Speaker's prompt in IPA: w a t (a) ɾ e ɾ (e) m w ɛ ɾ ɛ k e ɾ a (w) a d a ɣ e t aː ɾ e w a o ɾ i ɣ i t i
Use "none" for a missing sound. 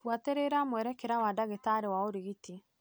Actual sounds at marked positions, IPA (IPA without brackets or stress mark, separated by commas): e, a, w